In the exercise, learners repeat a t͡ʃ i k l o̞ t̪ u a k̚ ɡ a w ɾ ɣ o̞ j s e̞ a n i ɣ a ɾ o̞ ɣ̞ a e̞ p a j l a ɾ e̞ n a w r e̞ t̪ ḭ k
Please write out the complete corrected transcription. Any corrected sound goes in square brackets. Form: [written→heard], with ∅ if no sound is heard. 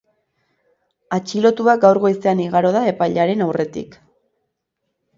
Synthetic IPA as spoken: a t͡ʃ i [k→∅] l o̞ t̪ u a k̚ ɡ a w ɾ ɣ o̞ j s e̞ a n i ɣ a ɾ o̞ [ɣ̞→ð̞] a e̞ p a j [l→ʎ] a ɾ e̞ n a w r e̞ t̪ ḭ k